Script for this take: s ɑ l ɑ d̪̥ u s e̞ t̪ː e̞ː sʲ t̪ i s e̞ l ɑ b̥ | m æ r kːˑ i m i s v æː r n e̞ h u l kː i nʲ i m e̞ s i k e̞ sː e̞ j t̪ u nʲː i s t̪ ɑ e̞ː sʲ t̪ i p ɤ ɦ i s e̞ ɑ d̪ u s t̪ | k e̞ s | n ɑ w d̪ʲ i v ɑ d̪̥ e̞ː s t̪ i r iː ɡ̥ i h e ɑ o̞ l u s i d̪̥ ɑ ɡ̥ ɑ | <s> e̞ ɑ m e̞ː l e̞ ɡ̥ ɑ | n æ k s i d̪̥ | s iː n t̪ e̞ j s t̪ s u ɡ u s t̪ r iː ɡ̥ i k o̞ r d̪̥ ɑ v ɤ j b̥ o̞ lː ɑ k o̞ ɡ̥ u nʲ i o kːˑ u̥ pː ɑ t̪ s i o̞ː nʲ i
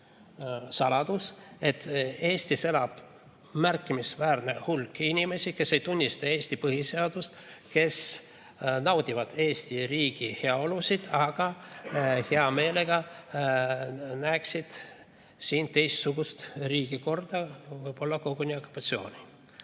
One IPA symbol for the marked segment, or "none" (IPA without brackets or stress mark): h